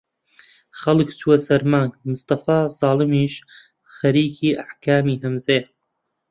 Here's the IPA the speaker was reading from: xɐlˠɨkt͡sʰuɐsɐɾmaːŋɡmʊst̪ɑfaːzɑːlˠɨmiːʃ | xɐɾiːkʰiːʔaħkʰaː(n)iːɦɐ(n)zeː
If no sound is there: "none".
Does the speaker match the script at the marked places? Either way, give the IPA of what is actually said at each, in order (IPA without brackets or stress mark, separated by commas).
m, m